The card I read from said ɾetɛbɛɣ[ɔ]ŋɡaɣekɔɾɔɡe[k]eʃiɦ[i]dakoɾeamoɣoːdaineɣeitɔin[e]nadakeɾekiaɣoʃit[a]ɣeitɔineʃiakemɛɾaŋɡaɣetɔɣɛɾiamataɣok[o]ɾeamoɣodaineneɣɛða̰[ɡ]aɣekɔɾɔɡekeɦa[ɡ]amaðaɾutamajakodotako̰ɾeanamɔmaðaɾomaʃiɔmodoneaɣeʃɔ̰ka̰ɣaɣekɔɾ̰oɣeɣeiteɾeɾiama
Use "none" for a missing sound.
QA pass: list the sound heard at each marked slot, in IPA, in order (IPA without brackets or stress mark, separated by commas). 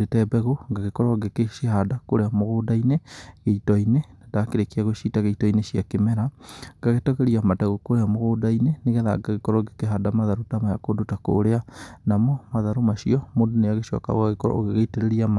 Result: o, k, a, e, a, o, ɡ, d